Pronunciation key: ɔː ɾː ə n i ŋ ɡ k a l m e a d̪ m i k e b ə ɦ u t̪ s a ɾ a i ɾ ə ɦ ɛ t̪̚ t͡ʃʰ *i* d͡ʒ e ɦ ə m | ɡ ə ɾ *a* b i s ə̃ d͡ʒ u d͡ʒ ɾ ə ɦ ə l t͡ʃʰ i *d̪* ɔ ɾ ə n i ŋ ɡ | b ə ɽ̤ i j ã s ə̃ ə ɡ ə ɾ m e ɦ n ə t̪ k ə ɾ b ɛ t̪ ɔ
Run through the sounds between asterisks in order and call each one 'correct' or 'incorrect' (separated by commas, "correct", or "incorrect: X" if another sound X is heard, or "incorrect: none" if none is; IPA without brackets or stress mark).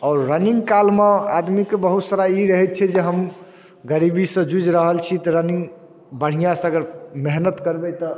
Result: incorrect: ɛ, incorrect: i, incorrect: t̪